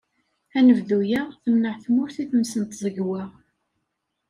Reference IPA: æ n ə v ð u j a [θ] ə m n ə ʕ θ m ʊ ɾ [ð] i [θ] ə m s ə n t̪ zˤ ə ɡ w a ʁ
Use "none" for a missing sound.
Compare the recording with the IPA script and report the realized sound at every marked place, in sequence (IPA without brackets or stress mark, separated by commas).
θ, θ, θ